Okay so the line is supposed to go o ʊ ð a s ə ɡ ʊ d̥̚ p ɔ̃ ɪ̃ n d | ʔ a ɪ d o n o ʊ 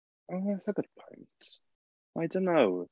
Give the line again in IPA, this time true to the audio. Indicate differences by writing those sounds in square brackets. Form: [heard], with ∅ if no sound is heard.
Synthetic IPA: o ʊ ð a s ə ɡ ʊ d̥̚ [pʰ] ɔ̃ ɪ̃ n [t] | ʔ a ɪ d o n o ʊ